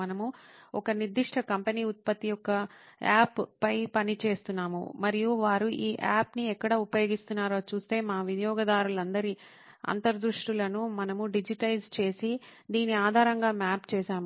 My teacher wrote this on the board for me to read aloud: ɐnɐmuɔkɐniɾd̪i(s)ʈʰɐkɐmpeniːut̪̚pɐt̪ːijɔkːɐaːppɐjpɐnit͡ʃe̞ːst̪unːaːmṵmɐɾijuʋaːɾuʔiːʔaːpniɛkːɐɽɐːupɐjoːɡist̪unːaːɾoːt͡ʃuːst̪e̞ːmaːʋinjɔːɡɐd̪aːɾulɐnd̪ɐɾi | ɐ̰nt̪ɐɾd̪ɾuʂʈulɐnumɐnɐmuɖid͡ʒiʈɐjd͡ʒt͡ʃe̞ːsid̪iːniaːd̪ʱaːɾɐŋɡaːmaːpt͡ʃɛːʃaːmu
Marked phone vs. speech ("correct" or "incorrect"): incorrect